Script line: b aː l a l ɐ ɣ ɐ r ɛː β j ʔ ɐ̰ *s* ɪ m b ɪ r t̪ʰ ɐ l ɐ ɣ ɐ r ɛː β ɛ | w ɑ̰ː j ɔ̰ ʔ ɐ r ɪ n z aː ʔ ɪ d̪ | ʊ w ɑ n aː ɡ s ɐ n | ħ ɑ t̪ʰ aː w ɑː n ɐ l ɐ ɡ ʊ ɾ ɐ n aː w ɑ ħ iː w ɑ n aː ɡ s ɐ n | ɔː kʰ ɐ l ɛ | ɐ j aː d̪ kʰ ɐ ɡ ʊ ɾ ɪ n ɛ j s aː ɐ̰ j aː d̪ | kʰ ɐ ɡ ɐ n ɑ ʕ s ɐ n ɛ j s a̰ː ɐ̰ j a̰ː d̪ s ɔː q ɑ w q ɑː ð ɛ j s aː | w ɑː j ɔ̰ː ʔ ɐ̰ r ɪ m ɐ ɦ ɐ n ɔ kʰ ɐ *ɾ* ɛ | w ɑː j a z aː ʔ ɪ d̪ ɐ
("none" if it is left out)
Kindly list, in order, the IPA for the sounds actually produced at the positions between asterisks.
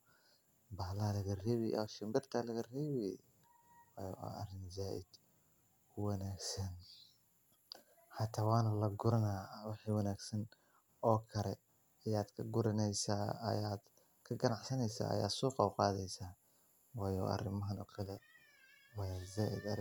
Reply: ʃ, l

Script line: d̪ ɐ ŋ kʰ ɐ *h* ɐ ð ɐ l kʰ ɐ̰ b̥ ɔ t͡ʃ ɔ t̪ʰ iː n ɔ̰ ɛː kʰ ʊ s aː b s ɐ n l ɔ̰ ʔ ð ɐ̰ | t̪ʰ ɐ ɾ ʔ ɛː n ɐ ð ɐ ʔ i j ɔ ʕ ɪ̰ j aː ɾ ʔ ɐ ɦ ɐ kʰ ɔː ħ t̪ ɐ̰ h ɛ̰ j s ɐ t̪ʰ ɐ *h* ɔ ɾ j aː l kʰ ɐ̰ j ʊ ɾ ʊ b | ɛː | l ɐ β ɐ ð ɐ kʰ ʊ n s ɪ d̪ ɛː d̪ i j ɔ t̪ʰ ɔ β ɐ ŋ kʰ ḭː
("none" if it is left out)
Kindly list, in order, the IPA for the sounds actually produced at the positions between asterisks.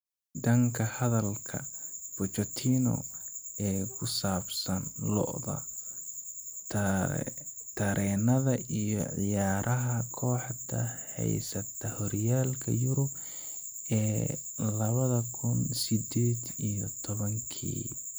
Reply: h, h

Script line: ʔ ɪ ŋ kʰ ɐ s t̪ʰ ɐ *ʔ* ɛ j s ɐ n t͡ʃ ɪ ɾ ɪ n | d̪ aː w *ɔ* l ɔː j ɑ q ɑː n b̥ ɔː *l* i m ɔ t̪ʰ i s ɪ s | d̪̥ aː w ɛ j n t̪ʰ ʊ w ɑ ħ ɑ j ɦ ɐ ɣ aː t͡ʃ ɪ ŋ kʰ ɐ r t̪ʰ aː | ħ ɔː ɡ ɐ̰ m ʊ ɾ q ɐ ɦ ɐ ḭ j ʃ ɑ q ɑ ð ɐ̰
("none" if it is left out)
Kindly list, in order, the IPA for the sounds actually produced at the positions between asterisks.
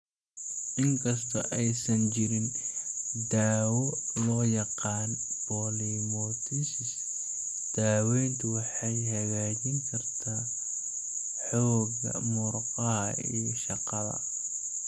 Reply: ʔ, ɔ, l

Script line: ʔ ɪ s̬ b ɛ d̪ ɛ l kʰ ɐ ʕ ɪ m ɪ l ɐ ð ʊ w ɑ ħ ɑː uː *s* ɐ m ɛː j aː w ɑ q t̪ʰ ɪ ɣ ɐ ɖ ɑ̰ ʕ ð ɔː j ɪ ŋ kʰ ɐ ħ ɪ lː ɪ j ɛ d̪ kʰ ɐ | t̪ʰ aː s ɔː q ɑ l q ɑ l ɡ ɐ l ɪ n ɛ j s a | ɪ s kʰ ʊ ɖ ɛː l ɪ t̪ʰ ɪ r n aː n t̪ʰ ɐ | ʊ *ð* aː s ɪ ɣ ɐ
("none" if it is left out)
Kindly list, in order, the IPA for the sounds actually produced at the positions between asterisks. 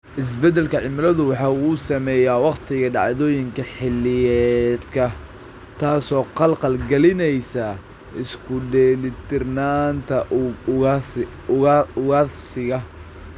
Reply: s, ɣ

